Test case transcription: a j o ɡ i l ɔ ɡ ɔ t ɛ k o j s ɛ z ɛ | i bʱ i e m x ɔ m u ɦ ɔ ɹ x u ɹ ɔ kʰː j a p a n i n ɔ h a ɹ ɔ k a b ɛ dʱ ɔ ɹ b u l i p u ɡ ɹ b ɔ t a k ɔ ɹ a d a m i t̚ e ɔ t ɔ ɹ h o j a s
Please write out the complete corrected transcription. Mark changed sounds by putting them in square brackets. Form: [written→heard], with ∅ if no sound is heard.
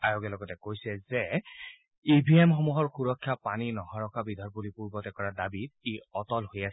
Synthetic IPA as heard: a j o ɡ [i→ɛ] l ɔ ɡ ɔ t ɛ k o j s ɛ z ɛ | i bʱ i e m x ɔ m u ɦ ɔ ɹ x u ɹ ɔ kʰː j a p a n i n ɔ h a ɹ ɔ k a b [ɛ→i] dʱ ɔ ɹ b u l i p u [ɡ→∅] ɹ b ɔ t [a→ɛ] k ɔ ɹ a d a [m→b] i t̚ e ɔ t ɔ [ɹ→l] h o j a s